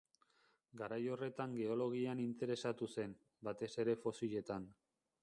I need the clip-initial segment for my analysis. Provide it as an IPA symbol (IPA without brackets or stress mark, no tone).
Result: ɡ